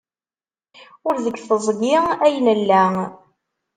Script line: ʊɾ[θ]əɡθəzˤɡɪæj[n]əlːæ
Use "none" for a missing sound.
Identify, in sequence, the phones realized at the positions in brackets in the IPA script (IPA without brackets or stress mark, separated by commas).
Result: ð, n